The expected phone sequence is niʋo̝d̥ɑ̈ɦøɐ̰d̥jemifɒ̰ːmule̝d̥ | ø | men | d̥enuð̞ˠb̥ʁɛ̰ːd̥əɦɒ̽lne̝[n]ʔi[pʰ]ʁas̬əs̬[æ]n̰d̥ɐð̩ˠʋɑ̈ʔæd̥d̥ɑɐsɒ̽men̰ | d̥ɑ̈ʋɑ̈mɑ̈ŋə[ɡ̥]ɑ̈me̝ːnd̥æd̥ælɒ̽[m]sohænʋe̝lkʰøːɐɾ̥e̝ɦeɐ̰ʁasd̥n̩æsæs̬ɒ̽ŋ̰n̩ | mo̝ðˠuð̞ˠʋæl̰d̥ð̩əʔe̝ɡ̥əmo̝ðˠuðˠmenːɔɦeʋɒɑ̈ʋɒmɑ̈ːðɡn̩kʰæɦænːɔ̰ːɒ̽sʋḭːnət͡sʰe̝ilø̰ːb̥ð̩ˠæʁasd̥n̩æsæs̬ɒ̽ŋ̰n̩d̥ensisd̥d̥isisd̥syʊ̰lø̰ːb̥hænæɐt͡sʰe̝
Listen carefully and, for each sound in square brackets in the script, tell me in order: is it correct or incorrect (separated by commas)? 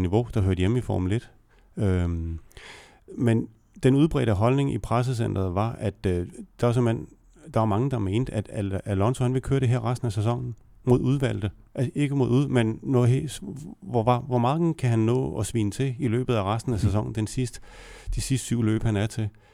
incorrect, correct, incorrect, incorrect, incorrect